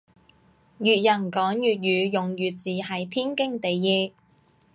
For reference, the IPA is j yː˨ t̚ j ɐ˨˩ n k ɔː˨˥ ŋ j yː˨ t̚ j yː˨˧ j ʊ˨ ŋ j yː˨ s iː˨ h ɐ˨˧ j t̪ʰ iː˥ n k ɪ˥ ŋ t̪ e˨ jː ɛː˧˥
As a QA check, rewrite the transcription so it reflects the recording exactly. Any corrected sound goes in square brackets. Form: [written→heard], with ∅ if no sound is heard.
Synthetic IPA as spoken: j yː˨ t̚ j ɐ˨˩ n k ɔː˨˥ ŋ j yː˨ t̚ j yː˨˧ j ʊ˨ ŋ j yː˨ [s→t͡s] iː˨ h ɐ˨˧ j t̪ʰ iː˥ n k ɪ˥ ŋ t̪ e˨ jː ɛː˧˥